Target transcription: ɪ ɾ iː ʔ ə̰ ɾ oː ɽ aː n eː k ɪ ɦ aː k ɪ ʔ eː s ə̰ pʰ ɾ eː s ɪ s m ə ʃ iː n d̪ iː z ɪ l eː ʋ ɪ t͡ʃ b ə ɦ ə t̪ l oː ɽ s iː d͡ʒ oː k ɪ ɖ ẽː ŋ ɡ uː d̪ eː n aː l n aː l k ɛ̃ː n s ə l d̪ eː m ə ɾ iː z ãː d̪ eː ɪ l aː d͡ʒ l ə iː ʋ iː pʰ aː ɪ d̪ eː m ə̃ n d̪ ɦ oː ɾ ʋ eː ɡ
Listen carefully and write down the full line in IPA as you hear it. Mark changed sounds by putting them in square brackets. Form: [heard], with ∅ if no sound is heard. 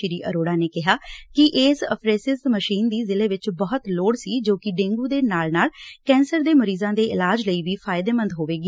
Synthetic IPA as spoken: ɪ ɾ iː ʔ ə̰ ɾ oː ɽ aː n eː k ɪ ɦ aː k ɪ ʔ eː s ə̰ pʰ ɾ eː s ɪ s m ə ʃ iː n d̪ iː z ɪ l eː ʋ ɪ t͡ʃ b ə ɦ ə t̪ l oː ɽ s iː d͡ʒ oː k ɪ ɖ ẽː ŋ ɡ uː d̪ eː n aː l n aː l k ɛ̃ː n s ə [ɾ] d̪ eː m ə ɾ iː z ãː d̪ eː ɪ l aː d͡ʒ l ə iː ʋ iː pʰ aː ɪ d̪ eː m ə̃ n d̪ ɦ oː [∅] ʋ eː ɡ